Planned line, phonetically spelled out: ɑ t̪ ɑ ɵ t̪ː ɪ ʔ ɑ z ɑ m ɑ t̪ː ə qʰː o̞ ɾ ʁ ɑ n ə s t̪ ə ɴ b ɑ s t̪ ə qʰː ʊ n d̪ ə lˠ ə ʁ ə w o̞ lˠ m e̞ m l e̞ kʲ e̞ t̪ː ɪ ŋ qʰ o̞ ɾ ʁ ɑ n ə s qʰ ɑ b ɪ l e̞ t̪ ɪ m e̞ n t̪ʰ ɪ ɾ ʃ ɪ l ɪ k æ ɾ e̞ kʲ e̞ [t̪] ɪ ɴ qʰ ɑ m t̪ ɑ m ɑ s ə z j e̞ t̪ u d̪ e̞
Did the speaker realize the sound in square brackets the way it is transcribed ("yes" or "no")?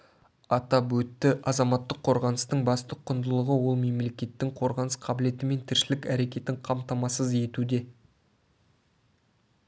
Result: yes